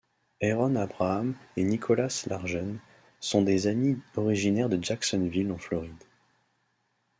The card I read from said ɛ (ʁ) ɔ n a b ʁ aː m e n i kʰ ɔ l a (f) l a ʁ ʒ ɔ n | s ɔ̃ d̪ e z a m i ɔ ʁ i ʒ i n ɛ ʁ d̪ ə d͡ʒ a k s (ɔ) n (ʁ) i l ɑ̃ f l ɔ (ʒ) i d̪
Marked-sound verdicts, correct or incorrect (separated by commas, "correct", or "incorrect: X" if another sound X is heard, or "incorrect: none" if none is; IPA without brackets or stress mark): correct, incorrect: s, correct, incorrect: v, incorrect: ʁ